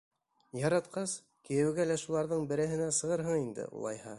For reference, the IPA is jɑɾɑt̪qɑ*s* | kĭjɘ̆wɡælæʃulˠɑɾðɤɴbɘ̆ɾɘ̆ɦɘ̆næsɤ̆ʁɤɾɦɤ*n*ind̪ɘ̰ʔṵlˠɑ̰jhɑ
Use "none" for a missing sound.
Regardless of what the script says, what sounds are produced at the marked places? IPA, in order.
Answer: s, ɴ

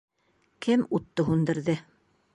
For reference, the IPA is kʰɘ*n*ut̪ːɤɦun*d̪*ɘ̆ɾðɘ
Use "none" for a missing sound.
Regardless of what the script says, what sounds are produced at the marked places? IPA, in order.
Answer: m, d̪

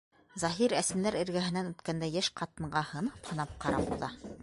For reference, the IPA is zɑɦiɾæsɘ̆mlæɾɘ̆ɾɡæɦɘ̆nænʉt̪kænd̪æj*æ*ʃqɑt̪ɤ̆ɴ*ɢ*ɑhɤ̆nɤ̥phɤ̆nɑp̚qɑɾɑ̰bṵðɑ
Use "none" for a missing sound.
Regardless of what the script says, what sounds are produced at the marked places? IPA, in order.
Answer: æ, ɢ

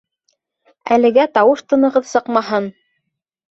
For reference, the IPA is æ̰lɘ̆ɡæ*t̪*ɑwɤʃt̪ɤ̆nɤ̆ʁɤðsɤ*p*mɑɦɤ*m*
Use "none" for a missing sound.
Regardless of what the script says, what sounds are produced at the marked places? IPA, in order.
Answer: t̪, q, n

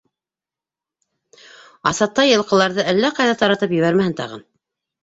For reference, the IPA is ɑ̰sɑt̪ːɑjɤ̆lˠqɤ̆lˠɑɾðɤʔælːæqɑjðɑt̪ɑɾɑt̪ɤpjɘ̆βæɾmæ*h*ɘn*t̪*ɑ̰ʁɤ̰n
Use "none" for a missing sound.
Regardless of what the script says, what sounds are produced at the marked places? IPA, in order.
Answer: h, t̪

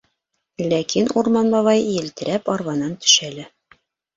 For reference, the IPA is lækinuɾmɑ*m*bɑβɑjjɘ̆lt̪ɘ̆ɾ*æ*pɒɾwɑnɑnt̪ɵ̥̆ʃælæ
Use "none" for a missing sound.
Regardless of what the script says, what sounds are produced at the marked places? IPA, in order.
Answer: n, æ

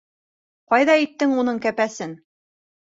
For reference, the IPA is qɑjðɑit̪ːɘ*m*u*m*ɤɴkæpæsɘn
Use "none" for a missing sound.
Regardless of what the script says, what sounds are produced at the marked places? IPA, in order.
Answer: ŋ, n

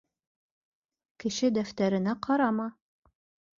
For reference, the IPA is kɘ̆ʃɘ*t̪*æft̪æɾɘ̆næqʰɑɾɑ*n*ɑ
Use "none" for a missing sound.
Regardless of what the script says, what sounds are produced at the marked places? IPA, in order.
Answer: d̪, m

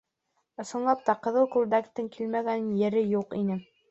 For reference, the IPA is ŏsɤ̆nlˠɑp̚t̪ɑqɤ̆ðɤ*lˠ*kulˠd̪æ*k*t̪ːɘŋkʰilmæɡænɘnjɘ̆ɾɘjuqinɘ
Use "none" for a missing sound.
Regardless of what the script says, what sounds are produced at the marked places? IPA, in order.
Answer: lˠ, k

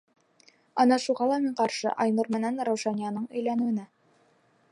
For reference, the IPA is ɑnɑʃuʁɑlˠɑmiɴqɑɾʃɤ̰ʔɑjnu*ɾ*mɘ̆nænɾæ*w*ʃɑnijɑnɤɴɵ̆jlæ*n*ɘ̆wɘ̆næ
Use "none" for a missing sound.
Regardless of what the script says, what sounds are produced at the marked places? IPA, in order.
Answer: ɾ, w, n

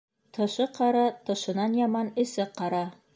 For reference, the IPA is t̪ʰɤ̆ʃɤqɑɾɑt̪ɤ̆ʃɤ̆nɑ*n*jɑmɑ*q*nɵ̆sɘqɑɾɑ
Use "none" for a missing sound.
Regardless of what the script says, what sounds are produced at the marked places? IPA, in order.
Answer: n, none

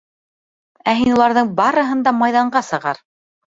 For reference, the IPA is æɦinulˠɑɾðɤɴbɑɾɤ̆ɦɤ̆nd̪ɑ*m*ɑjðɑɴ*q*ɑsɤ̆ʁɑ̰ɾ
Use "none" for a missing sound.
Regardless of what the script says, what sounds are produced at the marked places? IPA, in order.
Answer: m, ɢ

